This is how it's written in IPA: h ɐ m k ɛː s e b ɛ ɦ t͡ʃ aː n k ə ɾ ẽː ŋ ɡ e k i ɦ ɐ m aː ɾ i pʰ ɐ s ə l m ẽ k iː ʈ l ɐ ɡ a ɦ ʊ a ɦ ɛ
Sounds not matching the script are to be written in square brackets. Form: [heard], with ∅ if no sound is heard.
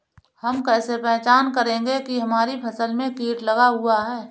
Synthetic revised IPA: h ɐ m k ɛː s e [p] ɛ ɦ t͡ʃ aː n k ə ɾ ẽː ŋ ɡ e k i ɦ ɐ m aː ɾ i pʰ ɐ s ə l m ẽ k iː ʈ l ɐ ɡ a ɦ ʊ a ɦ [ɛː]